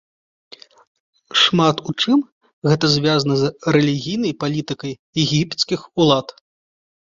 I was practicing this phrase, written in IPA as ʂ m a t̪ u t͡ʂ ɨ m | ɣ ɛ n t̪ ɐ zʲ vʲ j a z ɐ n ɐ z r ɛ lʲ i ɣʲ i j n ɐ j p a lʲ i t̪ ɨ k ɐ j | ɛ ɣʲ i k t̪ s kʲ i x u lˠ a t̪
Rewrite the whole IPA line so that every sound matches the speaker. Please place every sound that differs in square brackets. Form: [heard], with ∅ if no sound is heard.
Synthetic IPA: ʂ m a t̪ u t͡ʂ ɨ m | ɣ ɛ [∅] t̪ ɐ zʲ vʲ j a z ɐ n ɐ z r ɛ lʲ i ɣʲ i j n ɐ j p a lʲ i t̪ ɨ k ɐ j | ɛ ɣʲ i [p] t̪ s kʲ i x u lˠ a t̪

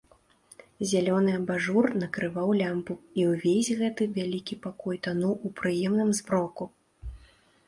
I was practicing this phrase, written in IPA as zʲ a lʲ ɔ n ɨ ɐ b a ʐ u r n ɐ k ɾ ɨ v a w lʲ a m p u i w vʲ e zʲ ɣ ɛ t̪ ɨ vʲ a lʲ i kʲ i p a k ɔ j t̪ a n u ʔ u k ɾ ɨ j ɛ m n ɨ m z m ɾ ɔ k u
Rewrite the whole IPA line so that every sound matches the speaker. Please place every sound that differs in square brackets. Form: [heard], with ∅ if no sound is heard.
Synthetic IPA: zʲ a lʲ ɔ n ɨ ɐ b a ʐ u r n ɐ k ɾ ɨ v a w lʲ a m p u i w vʲ e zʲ ɣ ɛ t̪ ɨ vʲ a lʲ i kʲ i p a k ɔ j t̪ a n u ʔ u [p] ɾ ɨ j ɛ m n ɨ m z [b] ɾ ɔ k u

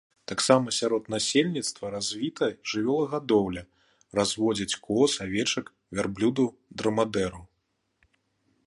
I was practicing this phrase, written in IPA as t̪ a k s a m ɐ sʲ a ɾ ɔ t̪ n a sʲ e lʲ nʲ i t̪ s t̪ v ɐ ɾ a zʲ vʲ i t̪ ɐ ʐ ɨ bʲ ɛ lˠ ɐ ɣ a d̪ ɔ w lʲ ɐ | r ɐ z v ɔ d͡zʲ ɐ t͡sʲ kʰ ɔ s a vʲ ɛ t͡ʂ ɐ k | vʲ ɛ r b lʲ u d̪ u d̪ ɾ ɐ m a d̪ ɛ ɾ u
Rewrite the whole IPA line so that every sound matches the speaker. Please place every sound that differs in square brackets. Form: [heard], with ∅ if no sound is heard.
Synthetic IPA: t̪ a k s a m ɐ sʲ a ɾ ɔ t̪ n a sʲ e lʲ nʲ i t̪ s t̪ v ɐ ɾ a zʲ vʲ i t̪ ɐ ʐ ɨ [vʲ] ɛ lˠ ɐ ɣ a d̪ ɔ w lʲ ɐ | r [a] z v ɔ d͡zʲ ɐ t͡sʲ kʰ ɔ s a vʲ ɛ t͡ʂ ɐ k | vʲ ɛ r b lʲ u d̪ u d̪ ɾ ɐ m a d̪ ɛ ɾ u

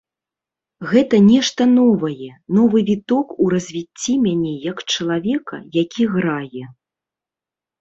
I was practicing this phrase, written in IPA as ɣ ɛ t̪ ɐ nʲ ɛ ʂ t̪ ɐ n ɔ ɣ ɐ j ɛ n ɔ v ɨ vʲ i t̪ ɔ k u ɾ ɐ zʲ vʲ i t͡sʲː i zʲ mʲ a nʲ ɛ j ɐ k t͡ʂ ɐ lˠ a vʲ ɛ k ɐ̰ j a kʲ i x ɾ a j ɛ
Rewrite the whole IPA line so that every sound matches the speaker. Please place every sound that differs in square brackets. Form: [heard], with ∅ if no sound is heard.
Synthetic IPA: ɣ ɛ t̪ ɐ nʲ ɛ ʂ t̪ ɐ n ɔ [v] ɐ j ɛ n ɔ v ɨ vʲ i t̪ ɔ k u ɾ ɐ zʲ vʲ i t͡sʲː i [∅] mʲ a nʲ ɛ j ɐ k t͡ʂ ɐ lˠ a vʲ ɛ k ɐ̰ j a kʲ i [ɣ] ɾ a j ɛ

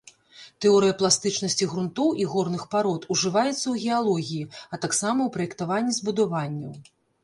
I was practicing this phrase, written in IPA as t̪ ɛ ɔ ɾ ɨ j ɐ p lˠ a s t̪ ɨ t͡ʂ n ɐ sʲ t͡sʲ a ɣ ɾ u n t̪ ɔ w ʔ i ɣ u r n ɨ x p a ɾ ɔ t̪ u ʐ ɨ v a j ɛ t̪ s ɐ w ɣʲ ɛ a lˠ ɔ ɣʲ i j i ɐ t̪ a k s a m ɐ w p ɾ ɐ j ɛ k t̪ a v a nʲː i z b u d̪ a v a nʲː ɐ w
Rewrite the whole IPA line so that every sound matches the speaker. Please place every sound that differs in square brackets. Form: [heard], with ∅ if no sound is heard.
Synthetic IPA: t̪ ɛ ɔ ɾ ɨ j ɐ p lˠ a s t̪ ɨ t͡ʂ n ɐ sʲ t͡sʲ [i] ɣ ɾ u n t̪ ɔ w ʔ i ɣ [ɔ] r n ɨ x p a ɾ ɔ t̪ u ʐ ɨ v a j ɛ t̪ [sː] ɐ w ɣʲ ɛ a lˠ ɔ ɣʲ i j i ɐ t̪ a k s a m ɐ w p ɾ ɐ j ɛ k t̪ a v a nʲː i z b u d̪ a v a nʲː ɐ w

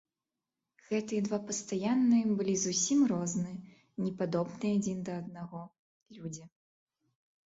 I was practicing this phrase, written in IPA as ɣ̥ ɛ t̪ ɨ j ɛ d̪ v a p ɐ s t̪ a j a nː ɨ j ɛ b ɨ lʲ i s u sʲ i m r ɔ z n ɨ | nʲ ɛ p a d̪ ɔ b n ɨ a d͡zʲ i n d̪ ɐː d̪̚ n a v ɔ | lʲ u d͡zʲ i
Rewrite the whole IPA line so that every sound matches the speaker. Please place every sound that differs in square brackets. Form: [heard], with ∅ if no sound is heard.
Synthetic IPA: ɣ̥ ɛ t̪ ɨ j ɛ d̪ v a p ɐ s t̪ a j a nː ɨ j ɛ b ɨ lʲ i [z] u sʲ i m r ɔ z n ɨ | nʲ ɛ p a d̪ ɔ b n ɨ a d͡zʲ i n d̪ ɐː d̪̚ n a [ɣ] ɔ | lʲ u d͡zʲ i

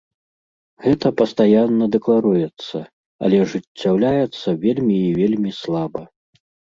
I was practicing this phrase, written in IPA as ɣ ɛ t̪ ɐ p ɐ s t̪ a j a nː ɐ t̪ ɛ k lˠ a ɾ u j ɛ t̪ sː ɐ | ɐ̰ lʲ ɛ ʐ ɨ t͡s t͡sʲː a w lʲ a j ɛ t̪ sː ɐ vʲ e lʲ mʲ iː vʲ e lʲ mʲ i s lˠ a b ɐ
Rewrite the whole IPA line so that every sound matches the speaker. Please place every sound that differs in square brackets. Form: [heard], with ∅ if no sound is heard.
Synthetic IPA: ɣ ɛ t̪ ɐ p ɐ s t̪ a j a nː ɐ [d̪] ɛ k lˠ a ɾ u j ɛ t̪ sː ɐ | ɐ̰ lʲ ɛ ʐ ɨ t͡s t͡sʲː a w lʲ a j ɛ t̪ sː ɐ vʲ e lʲ mʲ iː vʲ e lʲ mʲ i s lˠ a b ɐ

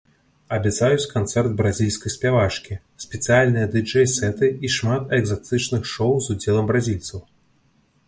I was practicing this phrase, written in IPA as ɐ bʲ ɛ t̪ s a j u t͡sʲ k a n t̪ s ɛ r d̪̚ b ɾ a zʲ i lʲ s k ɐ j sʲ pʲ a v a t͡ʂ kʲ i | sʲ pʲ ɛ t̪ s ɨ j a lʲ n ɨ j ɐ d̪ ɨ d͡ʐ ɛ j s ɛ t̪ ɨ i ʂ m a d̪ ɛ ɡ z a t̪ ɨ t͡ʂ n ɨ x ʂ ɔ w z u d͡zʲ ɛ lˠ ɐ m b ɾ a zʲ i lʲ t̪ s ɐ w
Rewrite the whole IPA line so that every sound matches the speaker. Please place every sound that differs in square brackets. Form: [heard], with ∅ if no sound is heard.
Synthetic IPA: ɐ bʲ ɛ t̪ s a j u t͡sʲ k a n t̪ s ɛ r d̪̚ b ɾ a zʲ i lʲ s k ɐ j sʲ pʲ a v a t͡ʂ kʲ i | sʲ pʲ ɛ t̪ s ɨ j a lʲ n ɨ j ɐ d̪ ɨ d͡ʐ ɛ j s ɛ t̪ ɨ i ʂ m a [t̪] ɛ ɡ z a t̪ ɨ t͡ʂ n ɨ x ʂ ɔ w z u d͡zʲ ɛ lˠ ɐ m b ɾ a zʲ i lʲ t̪ s ɐ w

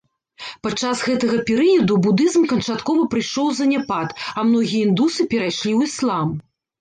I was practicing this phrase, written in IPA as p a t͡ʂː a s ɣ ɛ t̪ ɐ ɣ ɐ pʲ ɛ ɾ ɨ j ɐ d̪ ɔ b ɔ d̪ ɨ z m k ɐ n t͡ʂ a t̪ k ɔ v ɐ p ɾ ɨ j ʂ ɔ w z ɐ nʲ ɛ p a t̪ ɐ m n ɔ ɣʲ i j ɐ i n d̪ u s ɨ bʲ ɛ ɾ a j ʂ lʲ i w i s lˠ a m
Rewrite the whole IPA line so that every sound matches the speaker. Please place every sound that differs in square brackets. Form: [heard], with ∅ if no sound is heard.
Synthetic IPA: p a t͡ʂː a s ɣ ɛ t̪ ɐ ɣ ɐ pʲ ɛ ɾ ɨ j ɐ d̪ [u] b [u] d̪ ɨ z m k ɐ n t͡ʂ a t̪ k ɔ v ɐ p ɾ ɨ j ʂ ɔ w z ɐ nʲ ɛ p a t̪ ɐ m n ɔ ɣʲ i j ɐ i n d̪ u s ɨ [pʲ] ɛ ɾ a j ʂ lʲ i w i s lˠ a m

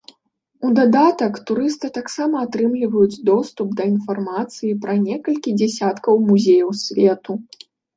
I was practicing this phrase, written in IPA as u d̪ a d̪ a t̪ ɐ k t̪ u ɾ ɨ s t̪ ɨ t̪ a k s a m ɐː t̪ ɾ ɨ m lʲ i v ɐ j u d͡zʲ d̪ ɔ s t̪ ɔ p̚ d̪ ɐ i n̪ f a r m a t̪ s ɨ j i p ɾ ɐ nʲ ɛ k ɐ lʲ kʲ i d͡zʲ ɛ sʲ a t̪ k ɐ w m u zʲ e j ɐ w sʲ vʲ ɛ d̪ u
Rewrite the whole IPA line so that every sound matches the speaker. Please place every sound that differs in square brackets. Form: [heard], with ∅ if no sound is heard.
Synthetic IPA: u d̪ a d̪ a t̪ ɐ k t̪ u ɾ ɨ s t̪ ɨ t̪ a k s a m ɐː t̪ ɾ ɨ m lʲ i v ɐ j u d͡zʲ d̪ ɔ s t̪ [u] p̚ d̪ ɐ i n̪ f a r m a t̪ s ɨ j i p ɾ ɐ nʲ ɛ k ɐ lʲ kʲ i d͡zʲ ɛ sʲ a t̪ k ɐ w m u zʲ e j ɐ w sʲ vʲ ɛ [t̪] u

